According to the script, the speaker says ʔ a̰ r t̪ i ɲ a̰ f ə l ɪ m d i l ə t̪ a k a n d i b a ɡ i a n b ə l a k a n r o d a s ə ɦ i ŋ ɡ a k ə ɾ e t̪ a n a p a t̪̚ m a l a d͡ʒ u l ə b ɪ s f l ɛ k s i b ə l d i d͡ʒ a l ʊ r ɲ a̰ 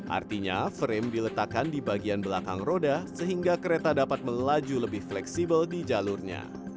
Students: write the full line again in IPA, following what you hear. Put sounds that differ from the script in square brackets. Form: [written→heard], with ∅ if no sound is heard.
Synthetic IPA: ʔ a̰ r t̪ i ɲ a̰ f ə [l→ɾ] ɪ m d i l ə t̪ a k a n d i b a ɡ i a n b ə l a k a [n→ŋ] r o d a s ə ɦ i ŋ ɡ a k ə ɾ e t̪ a [n→d] a p a t̪̚ m [a→ə] l a d͡ʒ u l ə b ɪ [s→h] f l ɛ k s i b ə l d i d͡ʒ a l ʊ r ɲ a̰